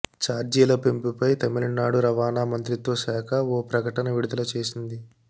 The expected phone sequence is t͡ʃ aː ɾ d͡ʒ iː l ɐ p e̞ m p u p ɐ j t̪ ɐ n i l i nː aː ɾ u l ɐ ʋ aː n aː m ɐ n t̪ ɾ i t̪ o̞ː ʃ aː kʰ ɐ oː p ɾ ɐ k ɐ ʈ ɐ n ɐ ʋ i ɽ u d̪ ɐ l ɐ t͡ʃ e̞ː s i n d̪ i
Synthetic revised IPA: t͡ʃ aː ɾ d͡ʒ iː l ɐ p e̞ m p u p ɐ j t̪ ɐ m i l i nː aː ɽ u ɾ ɐ ʋ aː n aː m ɐ n t̪ ɾ i t̪ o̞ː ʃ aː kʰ ɐ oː p ɾ ɐ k ɐ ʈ ɐ n ɐ ʋ i ɽ u d̪ ɐ l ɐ t͡ʃ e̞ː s i n d̪ i